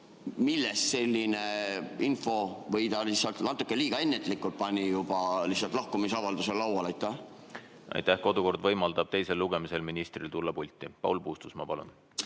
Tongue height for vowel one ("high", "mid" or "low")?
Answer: high